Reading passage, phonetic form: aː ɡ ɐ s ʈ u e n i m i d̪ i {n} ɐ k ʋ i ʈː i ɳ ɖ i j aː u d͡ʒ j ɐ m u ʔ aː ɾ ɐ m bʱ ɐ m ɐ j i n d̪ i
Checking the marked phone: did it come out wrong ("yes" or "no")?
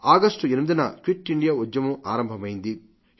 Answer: no